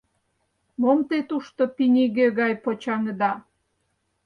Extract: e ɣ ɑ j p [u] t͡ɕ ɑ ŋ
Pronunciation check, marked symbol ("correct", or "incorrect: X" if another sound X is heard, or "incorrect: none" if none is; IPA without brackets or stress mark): incorrect: o